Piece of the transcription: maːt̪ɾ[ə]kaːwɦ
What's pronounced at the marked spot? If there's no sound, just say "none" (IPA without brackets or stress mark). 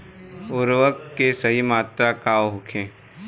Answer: a